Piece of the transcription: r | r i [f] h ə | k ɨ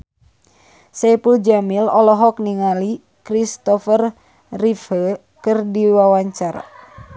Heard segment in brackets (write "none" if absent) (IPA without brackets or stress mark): f